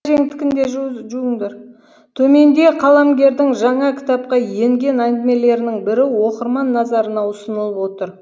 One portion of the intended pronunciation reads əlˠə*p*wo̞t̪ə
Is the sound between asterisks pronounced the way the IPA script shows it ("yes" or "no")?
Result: yes